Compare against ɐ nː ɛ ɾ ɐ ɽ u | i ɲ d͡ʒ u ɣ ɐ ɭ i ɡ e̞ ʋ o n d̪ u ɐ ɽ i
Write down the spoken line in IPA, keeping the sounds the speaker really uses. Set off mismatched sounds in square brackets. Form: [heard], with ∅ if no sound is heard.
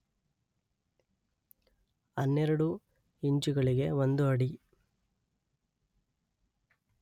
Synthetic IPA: ɐ nː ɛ ɾ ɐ ɽ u | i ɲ d͡ʒ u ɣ ɐ ɭ i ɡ e̞ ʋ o n d̪ u ɐ ɽ i